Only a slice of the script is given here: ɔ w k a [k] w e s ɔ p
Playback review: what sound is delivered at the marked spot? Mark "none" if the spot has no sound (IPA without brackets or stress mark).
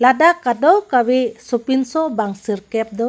none